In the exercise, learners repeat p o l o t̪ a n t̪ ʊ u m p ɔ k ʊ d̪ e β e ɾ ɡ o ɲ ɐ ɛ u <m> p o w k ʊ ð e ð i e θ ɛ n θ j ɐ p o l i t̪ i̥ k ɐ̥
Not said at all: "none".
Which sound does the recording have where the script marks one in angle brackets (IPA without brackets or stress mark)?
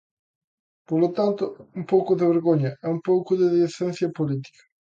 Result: m